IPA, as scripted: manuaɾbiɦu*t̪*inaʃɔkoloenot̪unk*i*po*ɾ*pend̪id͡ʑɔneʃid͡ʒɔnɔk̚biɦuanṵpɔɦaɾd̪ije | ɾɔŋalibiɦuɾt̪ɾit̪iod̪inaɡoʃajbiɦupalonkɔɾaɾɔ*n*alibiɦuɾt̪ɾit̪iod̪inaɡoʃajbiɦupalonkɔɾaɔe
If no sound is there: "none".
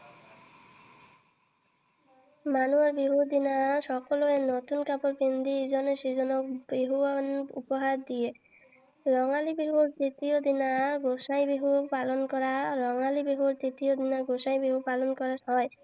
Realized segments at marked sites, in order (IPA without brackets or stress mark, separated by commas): d̪, a, ɾ, ŋ